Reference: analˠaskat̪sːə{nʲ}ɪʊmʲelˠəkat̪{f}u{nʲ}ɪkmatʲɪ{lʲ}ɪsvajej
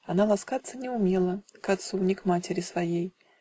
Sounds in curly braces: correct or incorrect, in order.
correct, incorrect, correct, incorrect

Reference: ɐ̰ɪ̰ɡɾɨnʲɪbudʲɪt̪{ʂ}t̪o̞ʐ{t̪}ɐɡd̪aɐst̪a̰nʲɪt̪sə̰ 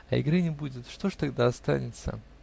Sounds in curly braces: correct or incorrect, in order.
correct, correct

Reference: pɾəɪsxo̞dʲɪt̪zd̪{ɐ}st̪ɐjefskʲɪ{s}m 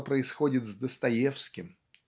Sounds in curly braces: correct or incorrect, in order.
incorrect, incorrect

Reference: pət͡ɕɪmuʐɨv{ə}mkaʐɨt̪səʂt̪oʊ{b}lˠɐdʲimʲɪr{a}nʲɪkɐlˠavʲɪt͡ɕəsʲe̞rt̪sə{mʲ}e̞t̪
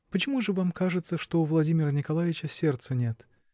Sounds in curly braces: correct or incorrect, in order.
incorrect, incorrect, incorrect, incorrect

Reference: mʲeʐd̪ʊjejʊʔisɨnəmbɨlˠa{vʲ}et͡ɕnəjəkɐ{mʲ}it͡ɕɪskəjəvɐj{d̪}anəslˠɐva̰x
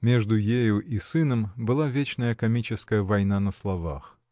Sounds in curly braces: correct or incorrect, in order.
correct, correct, incorrect

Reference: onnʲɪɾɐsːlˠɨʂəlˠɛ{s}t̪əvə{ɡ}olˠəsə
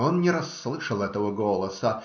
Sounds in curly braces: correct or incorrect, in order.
incorrect, correct

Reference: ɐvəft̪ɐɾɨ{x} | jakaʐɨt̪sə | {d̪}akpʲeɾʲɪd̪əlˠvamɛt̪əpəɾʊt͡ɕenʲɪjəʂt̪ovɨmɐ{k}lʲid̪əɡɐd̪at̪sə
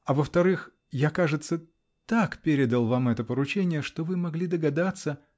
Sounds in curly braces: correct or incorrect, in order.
correct, incorrect, incorrect

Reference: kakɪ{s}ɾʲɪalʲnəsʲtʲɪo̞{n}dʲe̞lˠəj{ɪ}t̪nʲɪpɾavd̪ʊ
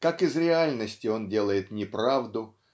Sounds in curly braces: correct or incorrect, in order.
incorrect, correct, correct

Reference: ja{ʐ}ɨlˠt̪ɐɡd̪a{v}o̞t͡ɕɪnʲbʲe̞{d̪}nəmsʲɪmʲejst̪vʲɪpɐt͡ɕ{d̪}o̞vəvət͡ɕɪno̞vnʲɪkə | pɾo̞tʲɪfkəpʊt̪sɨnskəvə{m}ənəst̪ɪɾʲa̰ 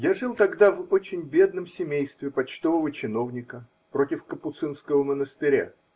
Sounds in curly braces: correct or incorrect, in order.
correct, correct, correct, incorrect, correct

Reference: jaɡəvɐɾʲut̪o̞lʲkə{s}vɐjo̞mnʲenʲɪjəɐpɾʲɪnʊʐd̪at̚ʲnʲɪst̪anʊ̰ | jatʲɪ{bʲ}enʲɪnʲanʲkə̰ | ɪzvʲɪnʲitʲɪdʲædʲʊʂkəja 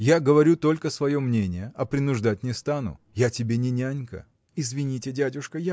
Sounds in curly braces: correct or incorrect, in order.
correct, correct

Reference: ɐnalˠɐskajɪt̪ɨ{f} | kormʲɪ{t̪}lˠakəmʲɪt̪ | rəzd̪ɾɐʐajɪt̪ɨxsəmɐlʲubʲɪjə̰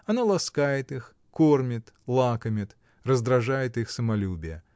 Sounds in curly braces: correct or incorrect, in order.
incorrect, correct

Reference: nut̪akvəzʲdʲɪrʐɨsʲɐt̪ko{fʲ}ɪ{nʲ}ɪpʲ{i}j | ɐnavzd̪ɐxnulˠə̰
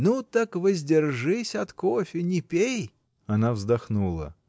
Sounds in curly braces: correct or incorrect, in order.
correct, correct, incorrect

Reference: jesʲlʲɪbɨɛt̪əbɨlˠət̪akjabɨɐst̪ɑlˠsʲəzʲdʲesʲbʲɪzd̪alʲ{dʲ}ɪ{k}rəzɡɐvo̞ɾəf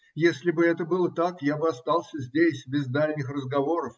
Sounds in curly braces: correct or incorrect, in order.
incorrect, incorrect

